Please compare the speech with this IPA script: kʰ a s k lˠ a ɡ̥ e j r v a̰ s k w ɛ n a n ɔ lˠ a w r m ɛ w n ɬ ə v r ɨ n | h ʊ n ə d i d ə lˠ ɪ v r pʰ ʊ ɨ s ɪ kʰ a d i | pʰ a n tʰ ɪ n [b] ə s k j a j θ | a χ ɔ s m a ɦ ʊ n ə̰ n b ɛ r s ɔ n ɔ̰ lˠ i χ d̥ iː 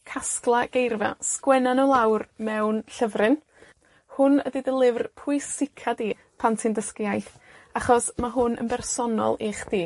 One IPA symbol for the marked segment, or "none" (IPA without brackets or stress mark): d